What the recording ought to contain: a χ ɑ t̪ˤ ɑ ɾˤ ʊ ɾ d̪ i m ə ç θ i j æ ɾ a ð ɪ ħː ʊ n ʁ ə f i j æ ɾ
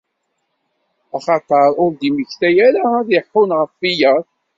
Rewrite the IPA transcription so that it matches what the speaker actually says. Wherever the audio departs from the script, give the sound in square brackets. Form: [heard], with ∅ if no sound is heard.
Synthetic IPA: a χ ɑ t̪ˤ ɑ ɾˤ ʊ ɾ d̪ i m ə ç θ [æ] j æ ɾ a ð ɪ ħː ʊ n ʁ ə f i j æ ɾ